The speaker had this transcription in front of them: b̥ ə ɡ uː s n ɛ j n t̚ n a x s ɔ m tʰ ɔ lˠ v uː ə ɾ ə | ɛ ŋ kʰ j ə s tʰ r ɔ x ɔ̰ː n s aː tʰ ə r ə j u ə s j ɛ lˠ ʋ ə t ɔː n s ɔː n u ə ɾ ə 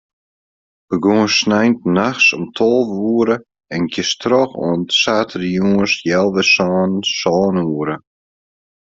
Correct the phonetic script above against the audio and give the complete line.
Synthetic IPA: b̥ ə ɡ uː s n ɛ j n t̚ n a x s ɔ m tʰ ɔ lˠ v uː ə ɾ ə | ɛ n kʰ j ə s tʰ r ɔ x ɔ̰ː n s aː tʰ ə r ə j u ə s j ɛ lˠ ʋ ə s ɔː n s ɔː n u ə ɾ ə

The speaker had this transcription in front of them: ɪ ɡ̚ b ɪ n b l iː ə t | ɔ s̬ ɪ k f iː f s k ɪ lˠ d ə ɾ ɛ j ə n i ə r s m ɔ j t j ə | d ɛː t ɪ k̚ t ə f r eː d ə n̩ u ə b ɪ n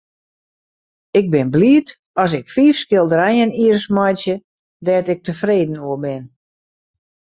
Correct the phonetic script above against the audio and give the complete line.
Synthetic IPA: ɪ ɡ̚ b ɪ n b l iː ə t | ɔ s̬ ɪ k f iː f s k ɪ lˠ d ə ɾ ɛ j ə n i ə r s m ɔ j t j ə | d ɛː t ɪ k̚ t ə f r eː d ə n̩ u ə b ɪ n

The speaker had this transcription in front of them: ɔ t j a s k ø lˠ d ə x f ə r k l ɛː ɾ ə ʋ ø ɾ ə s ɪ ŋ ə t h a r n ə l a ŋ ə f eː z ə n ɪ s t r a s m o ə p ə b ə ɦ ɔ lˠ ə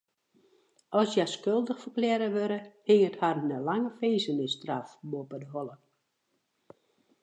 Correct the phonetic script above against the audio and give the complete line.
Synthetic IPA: ɔ s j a s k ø lˠ d ə x f ə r k l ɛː ɾ ə ʋ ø ɾ ə h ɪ ŋ ə t h a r n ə l a ŋ ə f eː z ə n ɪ s t r a f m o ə p ə d ə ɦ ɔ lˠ ə

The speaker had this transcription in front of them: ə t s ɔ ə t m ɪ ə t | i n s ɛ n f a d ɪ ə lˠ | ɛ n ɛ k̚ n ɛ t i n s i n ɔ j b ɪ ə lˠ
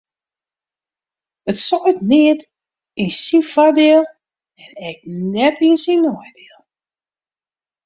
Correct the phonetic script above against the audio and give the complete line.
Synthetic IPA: ə t s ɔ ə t n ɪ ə t | i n s i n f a d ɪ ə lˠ | ɛ n ɛ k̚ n ɛ t i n s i n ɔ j d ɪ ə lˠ

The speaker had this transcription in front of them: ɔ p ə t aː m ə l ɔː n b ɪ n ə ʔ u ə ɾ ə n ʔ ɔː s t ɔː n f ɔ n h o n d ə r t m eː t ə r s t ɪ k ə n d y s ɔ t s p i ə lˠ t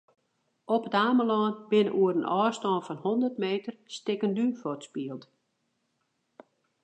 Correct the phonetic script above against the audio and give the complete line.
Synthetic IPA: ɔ p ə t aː m ə l ɔː n b ɪ n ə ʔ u ə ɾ ə n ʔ ɔː s t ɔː n f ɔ n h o n d ə r t m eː t ə r s t ɪ k ə n d y f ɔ t s p i ə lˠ t

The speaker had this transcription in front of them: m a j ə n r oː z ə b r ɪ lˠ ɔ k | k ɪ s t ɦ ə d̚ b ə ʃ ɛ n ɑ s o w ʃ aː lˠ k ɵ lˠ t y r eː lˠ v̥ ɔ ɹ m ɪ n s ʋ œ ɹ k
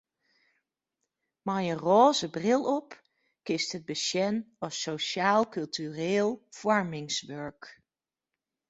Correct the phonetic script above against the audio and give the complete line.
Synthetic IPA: m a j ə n r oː z ə b r ɪ lˠ ɔ p | k ɪ s t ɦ ə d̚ b ə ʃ ɛ n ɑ s o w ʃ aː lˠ k ɵ lˠ t y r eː lˠ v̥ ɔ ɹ m ɪ ŋ s ʋ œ ɹ k

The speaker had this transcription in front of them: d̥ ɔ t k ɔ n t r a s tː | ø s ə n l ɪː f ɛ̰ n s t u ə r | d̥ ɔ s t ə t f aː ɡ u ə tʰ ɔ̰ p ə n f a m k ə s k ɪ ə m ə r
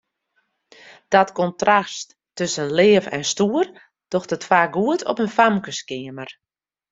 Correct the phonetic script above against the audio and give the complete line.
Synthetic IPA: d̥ ɔ t k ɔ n t r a s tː | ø s ə n l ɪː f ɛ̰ n s t u ə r | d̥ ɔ x t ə t f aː ɡ u ə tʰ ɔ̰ p ə n f a m k ə s k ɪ ə m ə r

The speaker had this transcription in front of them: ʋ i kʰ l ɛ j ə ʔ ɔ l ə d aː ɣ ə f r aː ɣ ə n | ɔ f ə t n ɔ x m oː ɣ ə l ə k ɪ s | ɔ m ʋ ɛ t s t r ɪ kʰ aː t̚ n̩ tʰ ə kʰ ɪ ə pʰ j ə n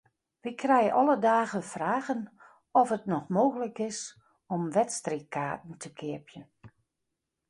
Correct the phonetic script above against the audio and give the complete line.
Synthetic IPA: ʋ i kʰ r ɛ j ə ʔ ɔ l ə d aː ɣ ə f r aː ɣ ə n | ɔ f ə t n ɔ x m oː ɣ ə l ə k ɪ s | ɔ m ʋ ɛ t s t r i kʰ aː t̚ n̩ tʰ ə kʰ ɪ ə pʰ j ə n

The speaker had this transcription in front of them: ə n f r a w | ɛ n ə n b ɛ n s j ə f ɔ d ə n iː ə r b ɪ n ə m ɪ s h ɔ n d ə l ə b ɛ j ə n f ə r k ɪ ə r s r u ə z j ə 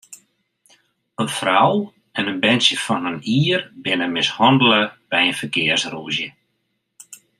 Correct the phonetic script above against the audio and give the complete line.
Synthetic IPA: ə n f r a w | ɛ n ə n b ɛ n s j ə f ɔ n ə n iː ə r b ɪ n ə m ɪ s h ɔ n d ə l ə b ɛ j ə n f ə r k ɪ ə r s r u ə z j ə

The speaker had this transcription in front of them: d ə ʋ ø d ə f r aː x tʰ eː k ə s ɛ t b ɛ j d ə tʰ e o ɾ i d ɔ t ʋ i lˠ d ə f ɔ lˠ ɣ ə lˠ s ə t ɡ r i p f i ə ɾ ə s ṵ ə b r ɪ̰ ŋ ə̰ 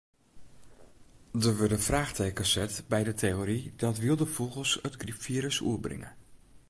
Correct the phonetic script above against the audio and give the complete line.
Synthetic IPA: d ə ʋ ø d ə f r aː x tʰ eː k ə s ɛ t b ɛ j d ə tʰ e o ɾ i d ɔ t ʋ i lˠ d ə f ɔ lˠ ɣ ə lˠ s ə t ɡ r i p f i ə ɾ ə s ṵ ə b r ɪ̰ ŋ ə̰

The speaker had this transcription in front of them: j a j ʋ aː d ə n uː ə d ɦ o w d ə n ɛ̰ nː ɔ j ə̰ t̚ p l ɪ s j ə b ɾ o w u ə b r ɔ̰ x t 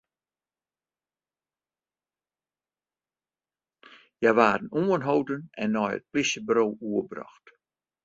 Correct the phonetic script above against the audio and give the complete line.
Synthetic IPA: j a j ʋ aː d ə n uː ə n ɦ o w d ə n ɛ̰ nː ɔ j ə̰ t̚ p l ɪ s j ə b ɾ o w u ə b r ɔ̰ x t

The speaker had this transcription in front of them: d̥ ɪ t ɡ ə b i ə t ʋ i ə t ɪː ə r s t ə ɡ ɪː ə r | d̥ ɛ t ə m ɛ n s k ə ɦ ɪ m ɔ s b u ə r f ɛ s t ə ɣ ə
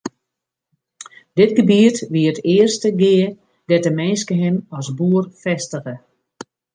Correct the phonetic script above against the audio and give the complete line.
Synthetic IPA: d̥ ɪ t ɡ ə b i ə t ʋ i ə t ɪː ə r s t ə ɡ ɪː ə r | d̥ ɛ t ə m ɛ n s k ə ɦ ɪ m ɔ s b u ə r f ɛ s t ə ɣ ə

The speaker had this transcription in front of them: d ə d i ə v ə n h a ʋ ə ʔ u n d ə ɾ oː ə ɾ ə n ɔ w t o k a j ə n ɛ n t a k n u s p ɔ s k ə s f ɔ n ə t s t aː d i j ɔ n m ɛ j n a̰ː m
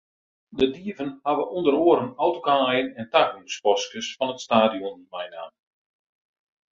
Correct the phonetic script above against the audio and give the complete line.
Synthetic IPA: d ə d i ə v ə n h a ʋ ə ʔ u n d ə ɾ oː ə ɾ ə n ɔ w t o k a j ə n ɛ n t a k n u s p ɔ s k ə s f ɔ n ə t s t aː d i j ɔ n m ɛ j n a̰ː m

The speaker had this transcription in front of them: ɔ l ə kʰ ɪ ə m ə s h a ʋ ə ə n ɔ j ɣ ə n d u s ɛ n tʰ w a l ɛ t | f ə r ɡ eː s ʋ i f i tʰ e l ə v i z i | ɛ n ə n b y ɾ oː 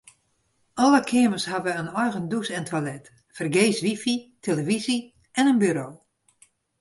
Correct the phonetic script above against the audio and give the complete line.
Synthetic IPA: ɔ l ə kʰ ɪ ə m ə s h a ʋ ə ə n ɔ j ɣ ə n d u s ɛ n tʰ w a l ɛ t | f ə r ɡ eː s ʋ i f i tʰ e l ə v i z i | ɛ n ə n b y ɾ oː

